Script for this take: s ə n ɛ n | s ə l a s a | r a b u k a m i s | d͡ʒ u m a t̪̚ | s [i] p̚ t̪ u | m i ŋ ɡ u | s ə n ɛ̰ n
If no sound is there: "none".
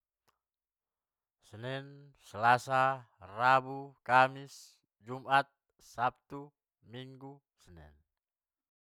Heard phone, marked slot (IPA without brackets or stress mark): a